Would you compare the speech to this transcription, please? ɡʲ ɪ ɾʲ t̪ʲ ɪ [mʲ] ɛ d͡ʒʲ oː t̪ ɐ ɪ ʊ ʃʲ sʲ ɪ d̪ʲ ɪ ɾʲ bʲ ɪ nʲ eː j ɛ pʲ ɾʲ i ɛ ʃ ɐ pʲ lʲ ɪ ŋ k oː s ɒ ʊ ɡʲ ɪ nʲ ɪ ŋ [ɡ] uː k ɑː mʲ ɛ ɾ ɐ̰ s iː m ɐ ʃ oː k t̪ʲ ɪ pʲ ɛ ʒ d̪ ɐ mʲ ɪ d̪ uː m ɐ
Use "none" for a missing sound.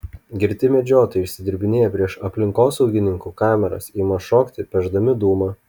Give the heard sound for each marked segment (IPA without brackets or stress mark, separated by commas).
mʲ, k